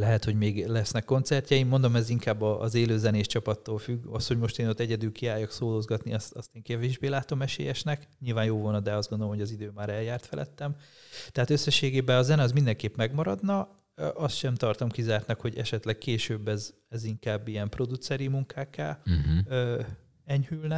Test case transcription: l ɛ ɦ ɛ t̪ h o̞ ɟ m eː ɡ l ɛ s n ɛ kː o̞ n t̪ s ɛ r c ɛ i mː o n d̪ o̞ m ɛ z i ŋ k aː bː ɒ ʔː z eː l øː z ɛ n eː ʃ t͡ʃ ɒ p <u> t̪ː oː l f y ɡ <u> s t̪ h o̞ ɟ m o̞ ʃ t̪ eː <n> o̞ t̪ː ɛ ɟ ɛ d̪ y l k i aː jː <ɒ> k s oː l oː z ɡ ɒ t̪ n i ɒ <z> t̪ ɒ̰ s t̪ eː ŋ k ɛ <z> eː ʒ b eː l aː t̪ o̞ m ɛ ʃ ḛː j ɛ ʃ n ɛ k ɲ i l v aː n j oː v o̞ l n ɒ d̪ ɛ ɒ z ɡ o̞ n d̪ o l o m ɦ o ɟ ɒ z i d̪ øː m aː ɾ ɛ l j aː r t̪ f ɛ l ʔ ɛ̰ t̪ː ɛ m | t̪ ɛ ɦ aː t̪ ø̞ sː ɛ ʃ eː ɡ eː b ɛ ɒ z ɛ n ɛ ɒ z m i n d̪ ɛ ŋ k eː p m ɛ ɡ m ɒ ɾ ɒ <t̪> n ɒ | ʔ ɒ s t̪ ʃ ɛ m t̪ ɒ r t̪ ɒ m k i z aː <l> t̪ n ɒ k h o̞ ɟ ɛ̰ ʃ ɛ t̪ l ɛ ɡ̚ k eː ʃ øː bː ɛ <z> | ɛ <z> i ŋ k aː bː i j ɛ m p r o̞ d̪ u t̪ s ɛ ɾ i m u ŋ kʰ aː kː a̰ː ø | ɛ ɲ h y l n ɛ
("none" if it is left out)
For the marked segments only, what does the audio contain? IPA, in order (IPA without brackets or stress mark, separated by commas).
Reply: ɒ, ɒ, n, ɒ, s, v, d̪, r, z, z